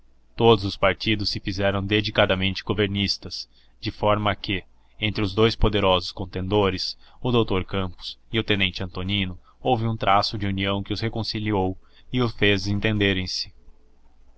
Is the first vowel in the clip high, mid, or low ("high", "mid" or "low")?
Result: mid